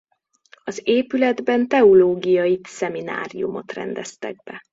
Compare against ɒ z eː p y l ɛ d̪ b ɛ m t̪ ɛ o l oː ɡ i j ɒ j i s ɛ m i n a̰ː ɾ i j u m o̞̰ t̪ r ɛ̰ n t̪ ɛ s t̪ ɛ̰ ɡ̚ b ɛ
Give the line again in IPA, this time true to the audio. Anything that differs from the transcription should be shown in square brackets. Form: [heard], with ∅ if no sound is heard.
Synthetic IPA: ɒ z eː p y l ɛ d̪ b ɛ [n] t̪ ɛ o l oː ɡ i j ɒ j i s ɛ m i n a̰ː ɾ i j u m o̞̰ t̪ r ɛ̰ n [d̪] ɛ s t̪ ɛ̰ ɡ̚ b ɛ

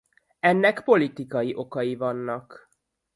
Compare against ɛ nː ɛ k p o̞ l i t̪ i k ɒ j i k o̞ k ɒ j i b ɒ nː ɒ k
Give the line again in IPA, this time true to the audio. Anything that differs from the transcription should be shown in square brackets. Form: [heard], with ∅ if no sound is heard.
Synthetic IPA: ɛ nː ɛ k p o̞ l i t̪ i k ɒ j i [ʔ] o̞ k ɒ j i [v] ɒ nː ɒ k

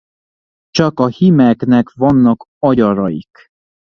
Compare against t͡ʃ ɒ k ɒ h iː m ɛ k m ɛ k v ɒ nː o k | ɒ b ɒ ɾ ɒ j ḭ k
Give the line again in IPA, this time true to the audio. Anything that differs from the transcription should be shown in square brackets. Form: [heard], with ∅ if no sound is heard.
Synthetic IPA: t͡ʃ ɒ k ɒ h [i] m ɛ k [n] ɛ k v ɒ nː [ɒ] k | ɒ [ɟ] ɒ ɾ ɒ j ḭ k

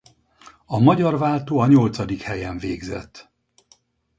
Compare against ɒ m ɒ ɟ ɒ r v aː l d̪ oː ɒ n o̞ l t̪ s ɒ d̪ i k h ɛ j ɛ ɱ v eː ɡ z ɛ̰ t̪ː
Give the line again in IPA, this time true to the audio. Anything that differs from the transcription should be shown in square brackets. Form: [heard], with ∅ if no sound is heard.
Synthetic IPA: ɒ m ɒ ɟ ɒ r v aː l [t̪] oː ɒ [ɲ] o̞ l t̪ s ɒ d̪ i k h ɛ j ɛ ɱ v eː ɡ z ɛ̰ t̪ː

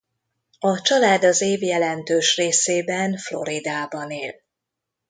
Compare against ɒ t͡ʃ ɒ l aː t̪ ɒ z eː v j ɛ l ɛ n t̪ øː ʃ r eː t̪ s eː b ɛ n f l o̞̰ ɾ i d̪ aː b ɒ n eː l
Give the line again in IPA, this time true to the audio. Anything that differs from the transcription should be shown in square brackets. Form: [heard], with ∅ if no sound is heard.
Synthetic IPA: ɒ t͡ʃ ɒ l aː [d̪] ɒ z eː v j ɛ l ɛ n t̪ øː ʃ r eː [∅] s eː b ɛ n f l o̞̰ ɾ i d̪ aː b ɒ n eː l

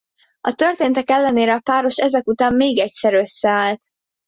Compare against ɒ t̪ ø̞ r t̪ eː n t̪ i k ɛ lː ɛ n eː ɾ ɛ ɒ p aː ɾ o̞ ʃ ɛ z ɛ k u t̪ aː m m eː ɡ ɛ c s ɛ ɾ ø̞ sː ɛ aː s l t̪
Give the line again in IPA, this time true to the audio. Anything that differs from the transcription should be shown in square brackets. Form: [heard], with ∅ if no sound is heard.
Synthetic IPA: ɒ t̪ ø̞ r t̪ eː n t̪ [ɛ] k ɛ lː ɛ n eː ɾ ɛ ɒ p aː ɾ o̞ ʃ ɛ z ɛ k u t̪ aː m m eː ɡ ɛ c s ɛ ɾ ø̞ sː ɛ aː [∅] l t̪

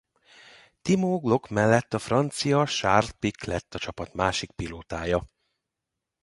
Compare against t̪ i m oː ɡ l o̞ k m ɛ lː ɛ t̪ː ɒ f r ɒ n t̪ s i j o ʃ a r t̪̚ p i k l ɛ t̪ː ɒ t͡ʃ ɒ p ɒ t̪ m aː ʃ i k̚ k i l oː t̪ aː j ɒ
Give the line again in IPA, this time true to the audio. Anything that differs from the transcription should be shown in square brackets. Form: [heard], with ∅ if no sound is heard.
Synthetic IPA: t̪ i m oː ɡ l o̞ k m ɛ lː ɛ t̪ː ɒ f r ɒ n t̪ s i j [ɒ] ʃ a r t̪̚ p i k l ɛ t̪ː ɒ t͡ʃ ɒ p ɒ t̪ m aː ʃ i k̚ [p] i l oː t̪ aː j ɒ

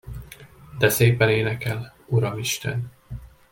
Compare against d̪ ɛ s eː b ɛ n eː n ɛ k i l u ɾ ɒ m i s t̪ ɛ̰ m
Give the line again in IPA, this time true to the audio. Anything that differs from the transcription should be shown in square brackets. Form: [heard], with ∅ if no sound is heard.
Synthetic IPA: d̪ ɛ s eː [p] ɛ n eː n ɛ k [ɛ] l u ɾ ɒ m i [ʃ] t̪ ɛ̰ [n]

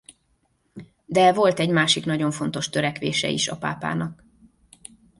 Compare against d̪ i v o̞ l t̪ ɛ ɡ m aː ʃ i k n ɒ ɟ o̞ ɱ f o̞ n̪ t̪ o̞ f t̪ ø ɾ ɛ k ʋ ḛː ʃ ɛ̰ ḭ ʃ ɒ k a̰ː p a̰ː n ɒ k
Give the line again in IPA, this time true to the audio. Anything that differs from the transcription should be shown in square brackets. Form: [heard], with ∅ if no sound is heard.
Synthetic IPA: d̪ [ɛ] v o̞ l t̪ ɛ [ɟ] m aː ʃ i k n ɒ ɟ o̞ ɱ f o̞ n̪ t̪ o̞ [ʃ] t̪ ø ɾ ɛ k ʋ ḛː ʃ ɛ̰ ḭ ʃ ɒ [p] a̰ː p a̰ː n ɒ k

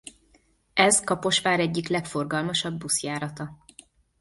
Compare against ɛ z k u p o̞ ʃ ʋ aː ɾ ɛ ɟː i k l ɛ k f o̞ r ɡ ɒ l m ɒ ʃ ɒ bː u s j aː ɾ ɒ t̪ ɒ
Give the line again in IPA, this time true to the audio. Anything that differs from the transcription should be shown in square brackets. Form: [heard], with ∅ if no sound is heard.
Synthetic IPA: ɛ z k [ɒ] p o̞ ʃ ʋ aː ɾ ɛ ɟː i k l ɛ k f o̞ r ɡ ɒ l m ɒ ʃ ɒ bː u s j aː ɾ ɒ t̪ ɒ

